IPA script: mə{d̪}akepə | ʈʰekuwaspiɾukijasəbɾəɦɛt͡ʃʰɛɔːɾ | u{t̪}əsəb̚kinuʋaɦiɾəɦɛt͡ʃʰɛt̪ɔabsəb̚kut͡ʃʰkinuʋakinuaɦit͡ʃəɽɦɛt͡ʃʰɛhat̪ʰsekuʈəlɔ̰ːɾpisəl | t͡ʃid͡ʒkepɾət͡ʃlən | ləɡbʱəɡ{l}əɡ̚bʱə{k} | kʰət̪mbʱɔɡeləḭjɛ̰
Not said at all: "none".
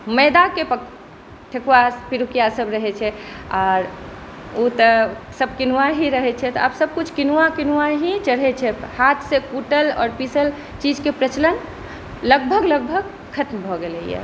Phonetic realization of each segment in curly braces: d̪, t̪, l, ɡ

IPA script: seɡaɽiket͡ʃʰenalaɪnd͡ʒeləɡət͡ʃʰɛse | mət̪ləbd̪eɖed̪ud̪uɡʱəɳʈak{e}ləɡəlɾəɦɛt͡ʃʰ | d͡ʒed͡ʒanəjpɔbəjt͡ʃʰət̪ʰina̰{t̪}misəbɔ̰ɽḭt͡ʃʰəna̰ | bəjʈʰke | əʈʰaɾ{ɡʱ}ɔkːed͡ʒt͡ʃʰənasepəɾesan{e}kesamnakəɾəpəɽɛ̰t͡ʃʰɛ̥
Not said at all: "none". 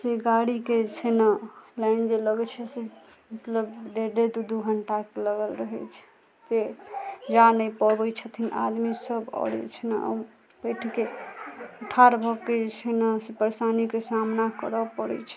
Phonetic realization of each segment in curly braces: e, d̪, bʱ, i

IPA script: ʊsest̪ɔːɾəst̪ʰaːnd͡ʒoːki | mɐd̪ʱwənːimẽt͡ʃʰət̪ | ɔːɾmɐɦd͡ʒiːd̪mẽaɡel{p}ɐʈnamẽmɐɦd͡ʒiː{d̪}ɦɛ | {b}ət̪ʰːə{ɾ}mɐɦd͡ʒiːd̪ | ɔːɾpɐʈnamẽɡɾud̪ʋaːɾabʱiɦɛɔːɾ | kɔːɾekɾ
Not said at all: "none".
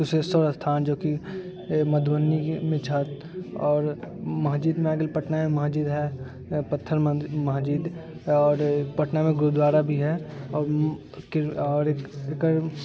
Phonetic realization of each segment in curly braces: p, d̪, p, ɾ

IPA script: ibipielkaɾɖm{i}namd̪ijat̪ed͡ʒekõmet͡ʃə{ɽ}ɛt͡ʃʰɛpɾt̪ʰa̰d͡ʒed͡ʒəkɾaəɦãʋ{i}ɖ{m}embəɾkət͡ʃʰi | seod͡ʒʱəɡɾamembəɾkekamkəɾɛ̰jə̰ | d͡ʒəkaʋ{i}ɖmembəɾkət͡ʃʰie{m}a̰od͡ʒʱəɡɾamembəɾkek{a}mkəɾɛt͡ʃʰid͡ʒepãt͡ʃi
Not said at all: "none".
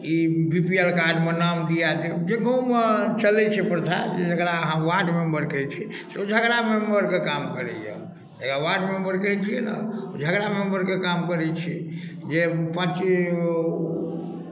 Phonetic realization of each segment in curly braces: e, l, a, m, a, n, a

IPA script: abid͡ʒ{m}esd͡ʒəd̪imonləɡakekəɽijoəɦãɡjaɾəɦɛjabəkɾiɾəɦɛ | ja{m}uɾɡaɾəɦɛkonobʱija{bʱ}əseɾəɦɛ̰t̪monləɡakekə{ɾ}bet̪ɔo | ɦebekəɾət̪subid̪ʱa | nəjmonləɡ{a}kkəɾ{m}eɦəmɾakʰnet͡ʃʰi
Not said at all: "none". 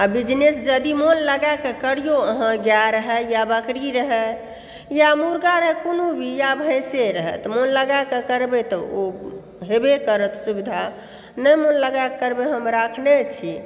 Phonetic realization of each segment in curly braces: n, m, bʱ, ɾ, a, b

